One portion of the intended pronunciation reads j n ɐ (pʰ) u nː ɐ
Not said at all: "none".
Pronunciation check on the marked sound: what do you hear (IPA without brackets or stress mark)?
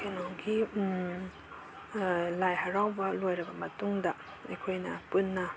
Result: p